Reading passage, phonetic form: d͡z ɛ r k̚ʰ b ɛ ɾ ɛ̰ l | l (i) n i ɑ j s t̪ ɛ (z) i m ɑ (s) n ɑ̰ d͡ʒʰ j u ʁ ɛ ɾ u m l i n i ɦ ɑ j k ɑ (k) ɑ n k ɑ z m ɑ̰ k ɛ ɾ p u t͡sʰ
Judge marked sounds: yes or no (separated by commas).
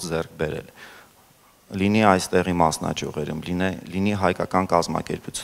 yes, no, yes, yes